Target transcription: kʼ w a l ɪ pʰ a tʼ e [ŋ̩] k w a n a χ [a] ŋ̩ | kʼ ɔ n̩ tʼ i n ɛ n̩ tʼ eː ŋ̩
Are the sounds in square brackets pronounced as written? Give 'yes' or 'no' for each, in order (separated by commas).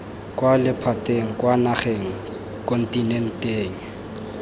yes, no